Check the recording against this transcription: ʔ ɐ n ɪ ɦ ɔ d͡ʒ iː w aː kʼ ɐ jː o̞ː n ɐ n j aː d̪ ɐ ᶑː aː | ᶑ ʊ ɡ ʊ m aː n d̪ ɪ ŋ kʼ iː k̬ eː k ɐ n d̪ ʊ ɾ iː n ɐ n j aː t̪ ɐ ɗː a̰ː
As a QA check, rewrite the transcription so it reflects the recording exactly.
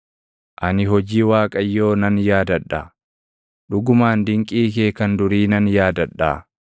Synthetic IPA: ʔ ɐ n ɪ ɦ ɔ d͡ʒ iː w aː kʼ ɐ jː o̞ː n ɐ n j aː d̪ ɐ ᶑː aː | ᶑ ʊ ɡ ʊ m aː n d̪ ɪ ŋ kʼ iː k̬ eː k ɐ n d̪ ʊ ɾ iː n ɐ n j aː d̪ ɐ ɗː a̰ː